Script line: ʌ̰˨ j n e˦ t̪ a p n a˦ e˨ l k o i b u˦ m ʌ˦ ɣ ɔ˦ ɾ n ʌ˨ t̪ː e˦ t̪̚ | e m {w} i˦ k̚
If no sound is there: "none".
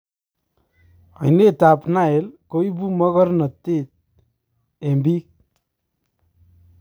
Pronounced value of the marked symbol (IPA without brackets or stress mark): b